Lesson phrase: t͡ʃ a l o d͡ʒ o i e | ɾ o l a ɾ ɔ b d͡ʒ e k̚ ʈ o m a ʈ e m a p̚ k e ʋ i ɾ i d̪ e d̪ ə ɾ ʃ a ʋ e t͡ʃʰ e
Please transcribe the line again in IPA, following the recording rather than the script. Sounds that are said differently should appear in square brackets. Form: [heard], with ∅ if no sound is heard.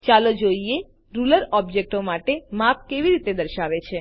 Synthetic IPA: t͡ʃ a l o d͡ʒ o i e | ɾ [u] l [ə] ɾ ɔ b d͡ʒ e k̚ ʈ o m a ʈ e m a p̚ k e ʋ i ɾ i [t̪] e d̪ ə ɾ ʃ a ʋ e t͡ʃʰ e